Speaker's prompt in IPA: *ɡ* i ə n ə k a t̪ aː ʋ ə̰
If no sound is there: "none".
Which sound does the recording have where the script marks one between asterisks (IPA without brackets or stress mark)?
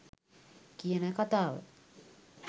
k